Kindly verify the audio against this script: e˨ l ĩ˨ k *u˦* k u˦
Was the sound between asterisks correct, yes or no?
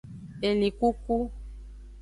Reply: yes